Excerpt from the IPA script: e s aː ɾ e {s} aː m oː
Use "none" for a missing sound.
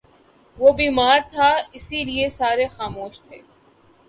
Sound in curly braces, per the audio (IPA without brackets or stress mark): x